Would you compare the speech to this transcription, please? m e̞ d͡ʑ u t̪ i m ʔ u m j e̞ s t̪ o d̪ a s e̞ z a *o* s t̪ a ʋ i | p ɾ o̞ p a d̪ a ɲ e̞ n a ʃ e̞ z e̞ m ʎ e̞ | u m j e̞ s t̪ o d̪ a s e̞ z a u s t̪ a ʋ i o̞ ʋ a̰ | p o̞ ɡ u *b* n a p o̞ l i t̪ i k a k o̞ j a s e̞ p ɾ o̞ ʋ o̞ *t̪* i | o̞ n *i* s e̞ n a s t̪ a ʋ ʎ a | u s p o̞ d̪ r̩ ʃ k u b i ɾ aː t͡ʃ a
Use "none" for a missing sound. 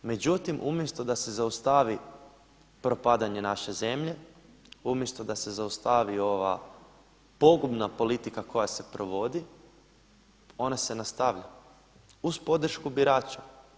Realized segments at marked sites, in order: u, b, d̪, a

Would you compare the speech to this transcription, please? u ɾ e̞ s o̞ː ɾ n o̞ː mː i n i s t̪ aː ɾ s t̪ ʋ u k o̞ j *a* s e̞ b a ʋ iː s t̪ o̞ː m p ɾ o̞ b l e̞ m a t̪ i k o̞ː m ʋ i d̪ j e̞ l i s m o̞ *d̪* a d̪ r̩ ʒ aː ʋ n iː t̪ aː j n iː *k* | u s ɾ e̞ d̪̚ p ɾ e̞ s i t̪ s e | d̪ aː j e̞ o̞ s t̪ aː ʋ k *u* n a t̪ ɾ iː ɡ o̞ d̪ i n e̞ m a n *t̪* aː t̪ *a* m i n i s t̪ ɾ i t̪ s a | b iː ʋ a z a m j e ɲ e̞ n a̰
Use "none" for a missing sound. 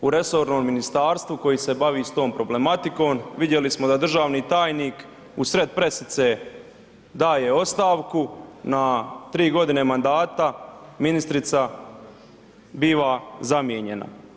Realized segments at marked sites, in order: i, d̪, k, u, d̪, a

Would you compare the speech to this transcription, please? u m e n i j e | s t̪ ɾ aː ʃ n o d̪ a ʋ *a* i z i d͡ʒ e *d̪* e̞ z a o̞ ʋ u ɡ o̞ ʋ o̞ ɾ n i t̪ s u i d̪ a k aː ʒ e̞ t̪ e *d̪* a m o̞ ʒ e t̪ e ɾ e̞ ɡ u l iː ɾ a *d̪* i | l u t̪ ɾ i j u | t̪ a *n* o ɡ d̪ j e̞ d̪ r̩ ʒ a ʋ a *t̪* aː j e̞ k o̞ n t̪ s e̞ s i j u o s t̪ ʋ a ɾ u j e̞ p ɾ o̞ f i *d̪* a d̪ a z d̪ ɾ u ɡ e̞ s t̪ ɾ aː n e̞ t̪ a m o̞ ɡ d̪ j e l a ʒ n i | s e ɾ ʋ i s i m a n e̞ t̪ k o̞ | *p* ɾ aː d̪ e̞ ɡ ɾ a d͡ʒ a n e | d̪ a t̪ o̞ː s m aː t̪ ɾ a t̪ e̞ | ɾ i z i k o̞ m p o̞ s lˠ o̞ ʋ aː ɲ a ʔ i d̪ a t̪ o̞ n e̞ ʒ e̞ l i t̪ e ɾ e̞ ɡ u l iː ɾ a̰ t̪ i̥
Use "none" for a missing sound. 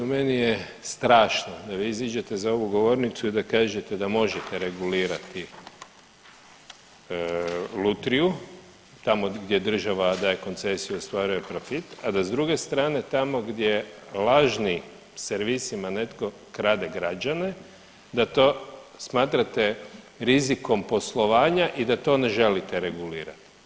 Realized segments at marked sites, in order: i, t̪, d̪, t̪, m, d̪, t̪, k

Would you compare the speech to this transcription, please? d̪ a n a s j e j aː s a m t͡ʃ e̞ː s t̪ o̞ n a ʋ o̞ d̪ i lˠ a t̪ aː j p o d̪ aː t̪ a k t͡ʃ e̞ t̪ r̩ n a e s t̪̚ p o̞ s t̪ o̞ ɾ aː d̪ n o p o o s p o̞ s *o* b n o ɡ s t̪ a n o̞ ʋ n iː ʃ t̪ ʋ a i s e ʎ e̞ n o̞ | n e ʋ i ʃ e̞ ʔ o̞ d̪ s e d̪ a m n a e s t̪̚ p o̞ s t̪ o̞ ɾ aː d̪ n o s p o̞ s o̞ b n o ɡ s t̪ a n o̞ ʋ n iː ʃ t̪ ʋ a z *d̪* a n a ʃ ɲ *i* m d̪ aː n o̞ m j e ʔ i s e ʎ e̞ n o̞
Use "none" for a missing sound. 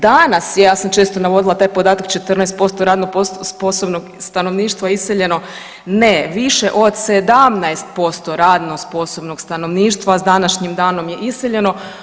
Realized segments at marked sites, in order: o, d̪, i

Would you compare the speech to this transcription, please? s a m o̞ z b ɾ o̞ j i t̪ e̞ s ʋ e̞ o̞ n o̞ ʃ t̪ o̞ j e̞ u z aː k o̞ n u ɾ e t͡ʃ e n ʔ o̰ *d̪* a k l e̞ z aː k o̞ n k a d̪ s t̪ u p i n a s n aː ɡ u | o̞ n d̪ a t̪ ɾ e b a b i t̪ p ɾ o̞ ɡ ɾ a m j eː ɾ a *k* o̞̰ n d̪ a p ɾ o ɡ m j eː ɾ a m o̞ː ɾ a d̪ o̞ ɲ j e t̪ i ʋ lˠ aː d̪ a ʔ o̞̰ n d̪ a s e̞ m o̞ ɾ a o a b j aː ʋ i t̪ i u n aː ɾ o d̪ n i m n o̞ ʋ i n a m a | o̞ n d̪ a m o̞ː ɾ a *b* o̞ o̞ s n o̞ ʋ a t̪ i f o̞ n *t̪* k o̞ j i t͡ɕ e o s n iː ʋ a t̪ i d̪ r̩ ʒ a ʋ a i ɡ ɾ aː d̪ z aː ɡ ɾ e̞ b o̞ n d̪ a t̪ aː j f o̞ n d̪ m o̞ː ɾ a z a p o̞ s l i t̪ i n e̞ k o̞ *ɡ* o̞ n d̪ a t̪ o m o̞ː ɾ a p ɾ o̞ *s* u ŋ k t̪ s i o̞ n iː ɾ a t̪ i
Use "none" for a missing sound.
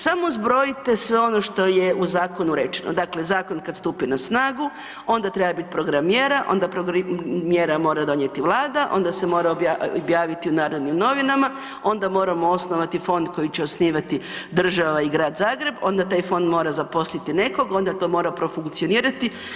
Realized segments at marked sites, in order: d̪, ʔ, m, d̪, ɡ, f

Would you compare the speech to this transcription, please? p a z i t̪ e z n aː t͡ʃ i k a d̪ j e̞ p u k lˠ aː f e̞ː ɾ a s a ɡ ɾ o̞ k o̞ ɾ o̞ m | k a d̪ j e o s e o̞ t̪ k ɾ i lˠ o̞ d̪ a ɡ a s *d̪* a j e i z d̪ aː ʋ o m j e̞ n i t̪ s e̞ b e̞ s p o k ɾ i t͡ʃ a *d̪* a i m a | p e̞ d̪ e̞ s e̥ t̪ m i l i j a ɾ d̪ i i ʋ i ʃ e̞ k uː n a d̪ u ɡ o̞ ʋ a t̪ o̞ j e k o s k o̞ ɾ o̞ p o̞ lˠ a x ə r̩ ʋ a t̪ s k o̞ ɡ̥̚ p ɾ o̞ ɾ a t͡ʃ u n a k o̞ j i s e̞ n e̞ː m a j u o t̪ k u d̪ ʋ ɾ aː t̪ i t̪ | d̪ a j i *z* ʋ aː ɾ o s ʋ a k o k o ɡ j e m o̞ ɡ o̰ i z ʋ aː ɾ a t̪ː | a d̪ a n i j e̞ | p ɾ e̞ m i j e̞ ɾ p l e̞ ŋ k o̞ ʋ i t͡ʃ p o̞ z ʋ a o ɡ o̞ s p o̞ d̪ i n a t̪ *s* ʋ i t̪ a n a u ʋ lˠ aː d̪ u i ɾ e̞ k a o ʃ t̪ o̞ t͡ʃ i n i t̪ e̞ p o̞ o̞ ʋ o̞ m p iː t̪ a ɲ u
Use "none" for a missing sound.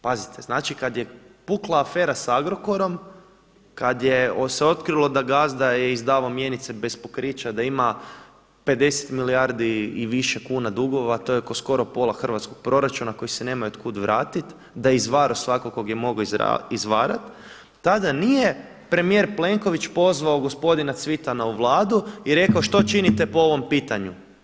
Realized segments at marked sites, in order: d̪, d̪, z, s

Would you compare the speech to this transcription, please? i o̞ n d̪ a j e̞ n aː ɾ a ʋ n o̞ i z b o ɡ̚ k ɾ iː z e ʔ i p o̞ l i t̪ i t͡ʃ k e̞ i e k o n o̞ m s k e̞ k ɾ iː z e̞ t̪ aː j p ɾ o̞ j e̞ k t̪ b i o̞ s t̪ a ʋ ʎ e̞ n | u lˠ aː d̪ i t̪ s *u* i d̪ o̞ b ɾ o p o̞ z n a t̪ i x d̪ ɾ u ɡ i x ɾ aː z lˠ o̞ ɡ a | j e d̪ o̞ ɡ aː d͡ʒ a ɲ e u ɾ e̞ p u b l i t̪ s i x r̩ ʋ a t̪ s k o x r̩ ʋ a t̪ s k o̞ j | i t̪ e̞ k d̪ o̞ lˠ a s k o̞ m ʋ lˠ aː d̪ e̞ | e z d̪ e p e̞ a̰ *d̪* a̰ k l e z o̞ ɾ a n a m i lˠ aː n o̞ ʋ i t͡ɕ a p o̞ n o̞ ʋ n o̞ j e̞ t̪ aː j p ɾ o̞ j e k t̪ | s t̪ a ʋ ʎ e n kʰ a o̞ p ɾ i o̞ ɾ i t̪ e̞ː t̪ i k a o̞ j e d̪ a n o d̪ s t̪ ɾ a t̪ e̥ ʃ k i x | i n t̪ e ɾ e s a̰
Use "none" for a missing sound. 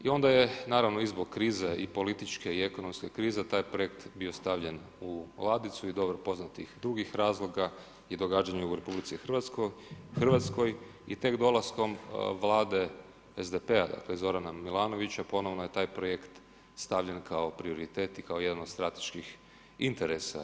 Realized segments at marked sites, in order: u, d̪

